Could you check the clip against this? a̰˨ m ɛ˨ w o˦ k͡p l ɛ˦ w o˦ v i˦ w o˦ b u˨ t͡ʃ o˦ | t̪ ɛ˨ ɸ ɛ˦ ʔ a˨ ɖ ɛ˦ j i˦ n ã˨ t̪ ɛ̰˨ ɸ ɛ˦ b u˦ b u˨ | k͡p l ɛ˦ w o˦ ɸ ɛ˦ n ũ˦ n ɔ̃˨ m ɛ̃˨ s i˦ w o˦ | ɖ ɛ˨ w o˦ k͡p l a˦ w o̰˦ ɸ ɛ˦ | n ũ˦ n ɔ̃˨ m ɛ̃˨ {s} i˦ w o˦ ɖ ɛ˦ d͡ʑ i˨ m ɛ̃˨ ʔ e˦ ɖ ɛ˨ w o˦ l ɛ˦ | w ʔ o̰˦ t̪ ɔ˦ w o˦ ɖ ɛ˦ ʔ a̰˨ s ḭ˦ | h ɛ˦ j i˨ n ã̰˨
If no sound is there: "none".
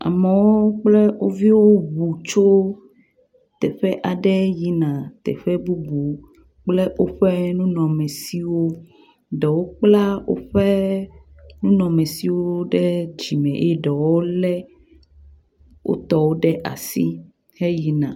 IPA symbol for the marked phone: s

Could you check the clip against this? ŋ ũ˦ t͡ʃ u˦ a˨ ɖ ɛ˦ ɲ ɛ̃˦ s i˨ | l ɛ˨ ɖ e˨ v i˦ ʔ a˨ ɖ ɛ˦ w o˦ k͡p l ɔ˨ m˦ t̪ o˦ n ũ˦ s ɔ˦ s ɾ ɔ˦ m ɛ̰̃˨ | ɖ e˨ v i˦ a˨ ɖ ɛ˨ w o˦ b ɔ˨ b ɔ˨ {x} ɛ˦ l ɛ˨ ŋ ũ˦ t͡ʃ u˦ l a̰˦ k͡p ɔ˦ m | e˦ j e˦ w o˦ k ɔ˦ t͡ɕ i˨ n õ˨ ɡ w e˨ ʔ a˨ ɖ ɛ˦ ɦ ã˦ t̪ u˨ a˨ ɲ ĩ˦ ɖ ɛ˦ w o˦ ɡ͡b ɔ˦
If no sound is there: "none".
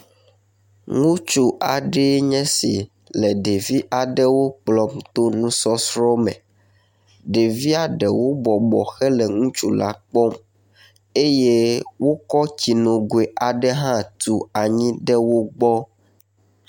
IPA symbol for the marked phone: x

